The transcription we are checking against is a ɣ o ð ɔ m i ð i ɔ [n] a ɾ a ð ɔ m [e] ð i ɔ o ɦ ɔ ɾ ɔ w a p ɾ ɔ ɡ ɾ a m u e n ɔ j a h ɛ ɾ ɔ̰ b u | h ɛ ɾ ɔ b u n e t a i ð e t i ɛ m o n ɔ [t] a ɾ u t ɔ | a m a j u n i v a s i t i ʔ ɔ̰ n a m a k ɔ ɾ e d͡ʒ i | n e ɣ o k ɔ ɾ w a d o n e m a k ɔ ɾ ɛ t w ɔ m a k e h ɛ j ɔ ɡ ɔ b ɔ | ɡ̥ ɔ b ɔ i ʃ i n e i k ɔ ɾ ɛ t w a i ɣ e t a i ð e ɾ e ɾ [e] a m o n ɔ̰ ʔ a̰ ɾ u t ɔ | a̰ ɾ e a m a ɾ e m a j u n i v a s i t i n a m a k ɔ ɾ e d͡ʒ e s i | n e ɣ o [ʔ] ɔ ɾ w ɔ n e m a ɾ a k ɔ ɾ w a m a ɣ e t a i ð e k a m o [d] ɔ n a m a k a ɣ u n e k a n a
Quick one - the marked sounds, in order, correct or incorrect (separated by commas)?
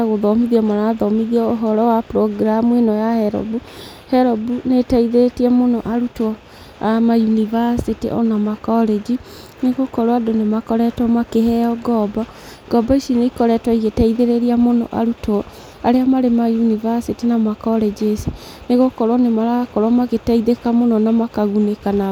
incorrect, incorrect, incorrect, incorrect, incorrect, incorrect